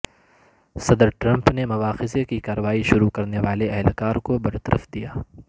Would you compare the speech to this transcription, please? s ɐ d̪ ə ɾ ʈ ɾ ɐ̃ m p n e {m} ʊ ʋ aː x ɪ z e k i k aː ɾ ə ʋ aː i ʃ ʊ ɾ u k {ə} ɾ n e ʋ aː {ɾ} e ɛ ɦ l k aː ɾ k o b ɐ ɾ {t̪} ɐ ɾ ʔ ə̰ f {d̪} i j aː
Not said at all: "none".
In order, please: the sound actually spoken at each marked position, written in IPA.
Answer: m, ɐ, l, t̪, d̪

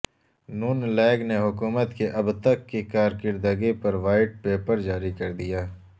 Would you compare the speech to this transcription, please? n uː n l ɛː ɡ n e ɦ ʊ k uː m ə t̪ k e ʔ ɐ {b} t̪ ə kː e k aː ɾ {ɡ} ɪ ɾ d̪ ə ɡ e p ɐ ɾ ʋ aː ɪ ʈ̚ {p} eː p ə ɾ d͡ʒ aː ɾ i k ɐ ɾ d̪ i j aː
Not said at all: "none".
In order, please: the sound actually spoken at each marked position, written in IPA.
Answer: b, k, p

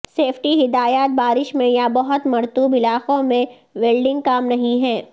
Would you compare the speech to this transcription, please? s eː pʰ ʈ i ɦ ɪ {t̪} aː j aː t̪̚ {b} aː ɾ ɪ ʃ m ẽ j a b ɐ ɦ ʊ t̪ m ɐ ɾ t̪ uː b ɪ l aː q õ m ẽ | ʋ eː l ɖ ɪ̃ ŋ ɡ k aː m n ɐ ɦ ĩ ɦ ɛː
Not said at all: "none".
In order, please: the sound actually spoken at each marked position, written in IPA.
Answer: d̪, b

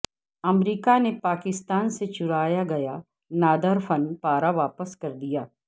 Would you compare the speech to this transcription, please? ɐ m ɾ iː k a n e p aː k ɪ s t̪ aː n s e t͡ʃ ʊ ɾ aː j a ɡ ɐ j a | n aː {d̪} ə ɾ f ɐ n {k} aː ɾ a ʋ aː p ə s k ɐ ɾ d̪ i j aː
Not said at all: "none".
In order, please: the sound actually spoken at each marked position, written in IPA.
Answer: d̪, p

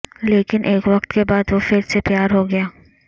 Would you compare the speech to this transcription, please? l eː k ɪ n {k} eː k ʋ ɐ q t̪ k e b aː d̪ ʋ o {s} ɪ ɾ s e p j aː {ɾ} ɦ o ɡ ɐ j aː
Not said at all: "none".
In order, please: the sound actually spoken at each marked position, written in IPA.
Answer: ʔ, f, ɾ

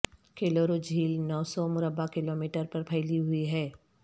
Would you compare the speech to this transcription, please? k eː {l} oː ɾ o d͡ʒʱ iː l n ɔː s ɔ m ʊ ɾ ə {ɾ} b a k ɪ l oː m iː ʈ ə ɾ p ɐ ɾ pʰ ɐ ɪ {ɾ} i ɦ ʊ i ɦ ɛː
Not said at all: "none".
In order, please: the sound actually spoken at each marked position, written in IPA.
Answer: l, none, l

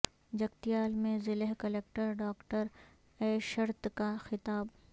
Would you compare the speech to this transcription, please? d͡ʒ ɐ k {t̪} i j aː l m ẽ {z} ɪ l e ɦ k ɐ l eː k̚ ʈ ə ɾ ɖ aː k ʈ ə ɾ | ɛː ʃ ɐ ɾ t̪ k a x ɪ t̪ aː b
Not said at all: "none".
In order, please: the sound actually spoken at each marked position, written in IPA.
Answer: t̪, z

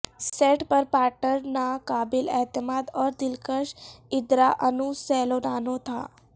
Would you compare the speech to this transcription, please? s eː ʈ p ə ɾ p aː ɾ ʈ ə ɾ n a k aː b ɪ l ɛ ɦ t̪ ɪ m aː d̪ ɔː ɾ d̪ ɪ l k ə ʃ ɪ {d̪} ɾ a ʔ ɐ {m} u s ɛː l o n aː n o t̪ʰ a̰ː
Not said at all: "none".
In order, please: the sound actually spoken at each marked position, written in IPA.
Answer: d̪, n

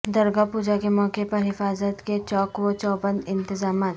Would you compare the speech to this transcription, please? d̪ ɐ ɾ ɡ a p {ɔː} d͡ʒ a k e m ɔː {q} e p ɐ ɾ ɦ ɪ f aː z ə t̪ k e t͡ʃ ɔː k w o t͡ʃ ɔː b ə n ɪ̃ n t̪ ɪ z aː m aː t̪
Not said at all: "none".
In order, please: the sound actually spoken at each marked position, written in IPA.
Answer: uː, k

